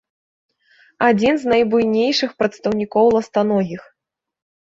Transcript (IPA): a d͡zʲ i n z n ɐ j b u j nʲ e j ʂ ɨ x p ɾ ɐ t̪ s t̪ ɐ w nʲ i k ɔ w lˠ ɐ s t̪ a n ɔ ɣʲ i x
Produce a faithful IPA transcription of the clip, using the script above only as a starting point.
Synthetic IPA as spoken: a d͡zʲ i n z n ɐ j b u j nʲ e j ʂ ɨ x p ɾ ɐ t̪ s t̪ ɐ w nʲ i k ɔ w lˠ ɐ s t̪ a n ɔ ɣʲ i x